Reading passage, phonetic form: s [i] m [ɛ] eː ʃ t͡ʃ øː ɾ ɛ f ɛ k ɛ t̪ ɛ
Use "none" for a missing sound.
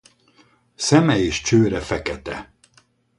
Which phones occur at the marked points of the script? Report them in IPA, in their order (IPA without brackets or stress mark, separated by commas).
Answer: ɛ, ɛ